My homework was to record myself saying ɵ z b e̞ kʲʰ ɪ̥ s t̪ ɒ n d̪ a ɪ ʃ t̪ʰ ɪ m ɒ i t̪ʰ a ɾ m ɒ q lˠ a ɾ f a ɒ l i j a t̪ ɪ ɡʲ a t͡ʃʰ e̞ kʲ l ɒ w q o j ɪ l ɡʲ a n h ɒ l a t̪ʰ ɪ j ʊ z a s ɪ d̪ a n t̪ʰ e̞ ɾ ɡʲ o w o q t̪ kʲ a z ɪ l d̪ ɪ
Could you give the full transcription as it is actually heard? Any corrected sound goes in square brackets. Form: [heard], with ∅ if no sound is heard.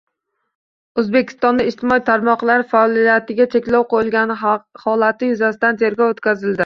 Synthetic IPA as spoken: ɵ z b e̞ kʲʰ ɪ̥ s t̪ ɒ n d̪ a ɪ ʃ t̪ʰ ɪ m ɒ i t̪ʰ a ɾ m ɒ q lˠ a ɾ f a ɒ l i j a t̪ ɪ ɡʲ a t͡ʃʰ e̞ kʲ l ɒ w q o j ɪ l ɡʲ a n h ɒ l a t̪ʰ ɪ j ʊ z a s ɪ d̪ a n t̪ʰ e̞ ɾ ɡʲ [ɒ] w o [∅] t̪ kʲ a z ɪ l d̪ ɪ

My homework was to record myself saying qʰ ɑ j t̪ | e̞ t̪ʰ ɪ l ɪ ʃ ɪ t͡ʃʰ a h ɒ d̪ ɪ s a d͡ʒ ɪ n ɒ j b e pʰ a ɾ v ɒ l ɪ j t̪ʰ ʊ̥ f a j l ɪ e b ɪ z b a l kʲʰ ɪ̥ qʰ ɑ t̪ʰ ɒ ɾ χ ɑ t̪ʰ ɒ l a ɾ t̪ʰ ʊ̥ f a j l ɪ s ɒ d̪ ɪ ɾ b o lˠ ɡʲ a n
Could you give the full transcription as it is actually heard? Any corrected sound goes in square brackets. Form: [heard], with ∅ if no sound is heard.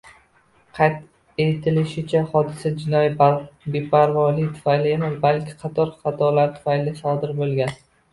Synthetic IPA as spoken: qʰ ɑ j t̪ | e̞ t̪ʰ ɪ l ɪ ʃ ɪ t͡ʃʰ a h ɒ d̪ ɪ s a d͡ʒ ɪ n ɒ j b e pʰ a ɾ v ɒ l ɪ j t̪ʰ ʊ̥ f a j l ɪ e [m] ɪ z b a l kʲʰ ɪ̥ qʰ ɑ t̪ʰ ɒ ɾ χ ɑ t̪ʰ ɒ l a ɾ t̪ʰ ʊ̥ f a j l ɪ s ɒ d̪ ɪ ɾ b o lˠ ɡʲ a n

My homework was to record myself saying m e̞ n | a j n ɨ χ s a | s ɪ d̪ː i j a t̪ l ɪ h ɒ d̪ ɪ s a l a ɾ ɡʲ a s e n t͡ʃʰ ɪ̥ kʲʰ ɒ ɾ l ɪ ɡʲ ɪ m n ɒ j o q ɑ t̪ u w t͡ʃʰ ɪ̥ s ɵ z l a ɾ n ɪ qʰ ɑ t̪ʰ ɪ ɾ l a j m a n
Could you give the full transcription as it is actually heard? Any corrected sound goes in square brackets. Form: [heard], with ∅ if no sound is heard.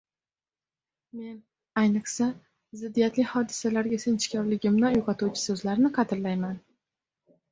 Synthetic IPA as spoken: m e̞ n | a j n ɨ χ s a | [z] ɪ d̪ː i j a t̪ l ɪ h ɒ d̪ ɪ s a l a ɾ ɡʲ a s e n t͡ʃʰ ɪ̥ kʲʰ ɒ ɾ l ɪ ɡʲ ɪ m n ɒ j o q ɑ t̪ u w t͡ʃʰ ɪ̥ s ɵ z l a ɾ n ɪ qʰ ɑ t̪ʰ ɪ ɾ l a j m a n

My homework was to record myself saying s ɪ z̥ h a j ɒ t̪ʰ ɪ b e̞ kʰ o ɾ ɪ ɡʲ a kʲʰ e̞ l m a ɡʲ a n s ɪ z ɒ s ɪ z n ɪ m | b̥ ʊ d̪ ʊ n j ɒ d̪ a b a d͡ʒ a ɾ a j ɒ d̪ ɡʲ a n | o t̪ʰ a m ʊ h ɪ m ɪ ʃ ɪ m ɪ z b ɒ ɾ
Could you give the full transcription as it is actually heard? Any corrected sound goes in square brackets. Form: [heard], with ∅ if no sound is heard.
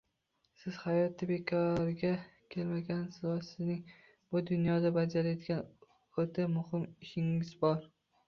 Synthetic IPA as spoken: s ɪ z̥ h a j ɒ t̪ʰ ɪ b e̞ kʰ [ɒ] ɾ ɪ ɡʲ a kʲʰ e̞ l m a ɡʲ a n s ɪ z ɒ s ɪ z n ɪ [ŋ] | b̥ ʊ d̪ ʊ n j ɒ d̪ a b a d͡ʒ a ɾ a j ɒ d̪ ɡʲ a n | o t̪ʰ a m ʊ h ɪ m ɪ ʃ ɪ [ŋ] ɪ z b ɒ ɾ

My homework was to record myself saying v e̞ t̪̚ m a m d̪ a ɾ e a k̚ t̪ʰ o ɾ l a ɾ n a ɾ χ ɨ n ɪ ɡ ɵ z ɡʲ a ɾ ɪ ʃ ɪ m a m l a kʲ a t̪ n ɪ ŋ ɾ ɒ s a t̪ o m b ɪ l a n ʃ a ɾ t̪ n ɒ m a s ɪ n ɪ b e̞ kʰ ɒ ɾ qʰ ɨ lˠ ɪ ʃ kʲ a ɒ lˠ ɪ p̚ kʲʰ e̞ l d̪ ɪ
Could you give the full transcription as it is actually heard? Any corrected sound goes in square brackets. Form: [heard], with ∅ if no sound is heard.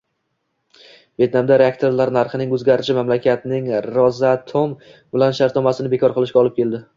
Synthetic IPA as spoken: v e̞ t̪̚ [n] a m d̪ a ɾ e a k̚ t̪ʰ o ɾ l a ɾ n a ɾ χ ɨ n ɪ [ŋ] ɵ z ɡʲ a ɾ ɪ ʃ ɪ m a m l a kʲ a t̪ n ɪ ŋ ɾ ɒ [z] a [t̪ʰ] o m b ɪ l a n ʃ a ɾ t̪ n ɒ m a s ɪ n ɪ b e̞ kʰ ɒ ɾ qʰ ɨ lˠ ɪ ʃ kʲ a ɒ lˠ ɪ p̚ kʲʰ e̞ l d̪ ɪ

